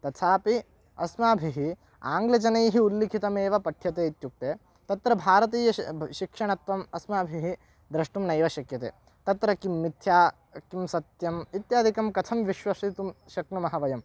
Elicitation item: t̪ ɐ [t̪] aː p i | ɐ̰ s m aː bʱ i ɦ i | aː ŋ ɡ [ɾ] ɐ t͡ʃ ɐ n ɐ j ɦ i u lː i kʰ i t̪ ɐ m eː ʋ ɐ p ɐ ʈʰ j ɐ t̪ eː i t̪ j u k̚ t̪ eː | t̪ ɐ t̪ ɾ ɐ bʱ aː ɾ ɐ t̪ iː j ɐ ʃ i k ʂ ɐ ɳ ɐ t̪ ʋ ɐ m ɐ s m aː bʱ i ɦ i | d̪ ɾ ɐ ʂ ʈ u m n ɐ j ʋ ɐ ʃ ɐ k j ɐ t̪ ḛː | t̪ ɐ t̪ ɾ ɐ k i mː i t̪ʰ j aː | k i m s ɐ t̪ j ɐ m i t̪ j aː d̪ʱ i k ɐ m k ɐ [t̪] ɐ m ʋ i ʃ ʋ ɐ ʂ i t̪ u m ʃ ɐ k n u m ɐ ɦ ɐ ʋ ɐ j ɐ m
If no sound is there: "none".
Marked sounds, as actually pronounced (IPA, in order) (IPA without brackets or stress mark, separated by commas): t̪ʰ, l, t̪ʰ